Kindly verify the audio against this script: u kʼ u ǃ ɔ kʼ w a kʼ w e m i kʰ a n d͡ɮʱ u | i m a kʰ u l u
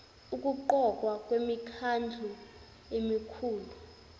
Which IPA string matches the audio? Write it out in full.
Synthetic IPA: u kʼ u ǃ ɔ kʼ w a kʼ w e m i kʰ a n d͡ɮʱ u | e m i kʰ uː l u

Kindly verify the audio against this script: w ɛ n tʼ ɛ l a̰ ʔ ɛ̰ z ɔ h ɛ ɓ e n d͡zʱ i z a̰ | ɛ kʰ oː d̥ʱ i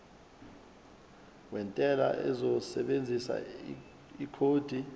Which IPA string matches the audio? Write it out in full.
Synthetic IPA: w ɛ n tʼ ɛ l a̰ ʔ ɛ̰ z ɔ s ɛ ɓ e n d͡zʱ i s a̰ | i kʰ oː d̥ʱ i

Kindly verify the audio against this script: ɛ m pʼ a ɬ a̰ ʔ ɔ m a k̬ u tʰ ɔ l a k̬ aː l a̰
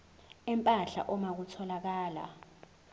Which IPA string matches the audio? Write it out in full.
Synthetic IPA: ɛ m pʼ a ɬ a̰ ʔ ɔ m a k̬ u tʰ ɔ l a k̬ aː l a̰

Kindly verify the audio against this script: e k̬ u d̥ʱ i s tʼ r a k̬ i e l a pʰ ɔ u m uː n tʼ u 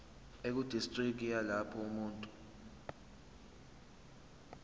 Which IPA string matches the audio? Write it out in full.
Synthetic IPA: e k̬ u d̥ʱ i s tʼ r i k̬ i a l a pʰ ɔ u m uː n tʼ u

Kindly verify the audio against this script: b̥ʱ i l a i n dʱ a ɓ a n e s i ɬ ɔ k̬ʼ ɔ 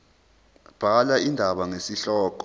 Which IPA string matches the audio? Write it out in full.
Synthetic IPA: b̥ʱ a l a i n dʱ a ɓ a ŋ e s i ɬ ɔː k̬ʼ ɔ

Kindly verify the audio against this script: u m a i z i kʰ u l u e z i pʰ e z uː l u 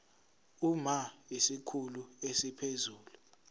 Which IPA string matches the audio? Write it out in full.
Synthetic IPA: u m a i s i kʰ u l u e s i pʰ e z uː l u

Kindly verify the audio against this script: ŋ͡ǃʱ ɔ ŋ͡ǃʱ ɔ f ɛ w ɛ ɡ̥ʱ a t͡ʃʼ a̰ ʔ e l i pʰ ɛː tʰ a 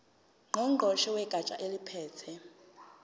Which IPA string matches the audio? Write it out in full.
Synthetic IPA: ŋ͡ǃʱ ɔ ŋ͡ǃʱ ɔ ʃ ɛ w ɛ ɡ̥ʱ a t͡ʃʼ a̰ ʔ e l i pʰ ɛː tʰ ɛ

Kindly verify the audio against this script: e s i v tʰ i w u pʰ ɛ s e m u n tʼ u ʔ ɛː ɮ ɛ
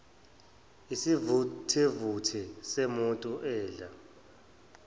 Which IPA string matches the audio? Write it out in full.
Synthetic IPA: i s i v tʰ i v u tʰ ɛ s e m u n tʼ u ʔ ɛː ɮ a

